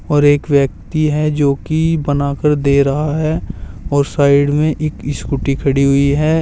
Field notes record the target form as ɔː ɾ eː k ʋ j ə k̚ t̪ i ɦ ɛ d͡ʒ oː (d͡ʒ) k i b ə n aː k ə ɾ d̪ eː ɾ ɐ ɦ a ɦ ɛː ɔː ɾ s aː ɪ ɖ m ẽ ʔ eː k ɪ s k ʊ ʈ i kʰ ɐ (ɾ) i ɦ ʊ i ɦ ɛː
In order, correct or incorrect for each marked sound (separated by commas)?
incorrect, incorrect